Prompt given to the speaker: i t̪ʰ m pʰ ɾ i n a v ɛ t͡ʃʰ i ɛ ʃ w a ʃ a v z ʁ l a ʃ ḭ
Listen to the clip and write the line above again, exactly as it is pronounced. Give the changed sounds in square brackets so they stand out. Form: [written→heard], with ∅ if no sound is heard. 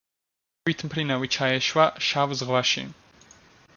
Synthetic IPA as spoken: i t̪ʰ m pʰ ɾ i n a v [ɛ→i] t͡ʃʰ [i→a] ɛ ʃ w a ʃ a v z ʁ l a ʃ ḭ